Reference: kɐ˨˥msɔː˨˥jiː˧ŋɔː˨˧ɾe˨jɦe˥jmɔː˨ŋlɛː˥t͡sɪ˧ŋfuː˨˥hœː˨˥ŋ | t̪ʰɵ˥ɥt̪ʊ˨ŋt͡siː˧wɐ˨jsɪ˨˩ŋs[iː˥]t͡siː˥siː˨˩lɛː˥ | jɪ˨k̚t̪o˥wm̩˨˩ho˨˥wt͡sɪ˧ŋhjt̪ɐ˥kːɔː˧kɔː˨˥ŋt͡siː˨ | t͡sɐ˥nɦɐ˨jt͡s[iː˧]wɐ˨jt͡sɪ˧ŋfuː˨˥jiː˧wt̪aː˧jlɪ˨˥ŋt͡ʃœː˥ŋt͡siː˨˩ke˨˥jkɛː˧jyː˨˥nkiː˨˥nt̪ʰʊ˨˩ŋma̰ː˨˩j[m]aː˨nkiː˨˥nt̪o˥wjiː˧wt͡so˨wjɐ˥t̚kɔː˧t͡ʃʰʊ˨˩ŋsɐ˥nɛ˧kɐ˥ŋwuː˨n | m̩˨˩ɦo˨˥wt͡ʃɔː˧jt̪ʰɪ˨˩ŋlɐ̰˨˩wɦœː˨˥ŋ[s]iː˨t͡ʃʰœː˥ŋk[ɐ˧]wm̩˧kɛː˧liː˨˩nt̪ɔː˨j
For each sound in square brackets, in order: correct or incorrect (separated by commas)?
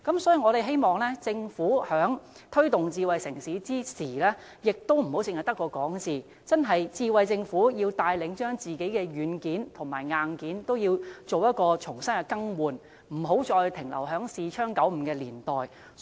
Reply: incorrect, correct, incorrect, correct, incorrect